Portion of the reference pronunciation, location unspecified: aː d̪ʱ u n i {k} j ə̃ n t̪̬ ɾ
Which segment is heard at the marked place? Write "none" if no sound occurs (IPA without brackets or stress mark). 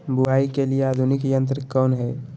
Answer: k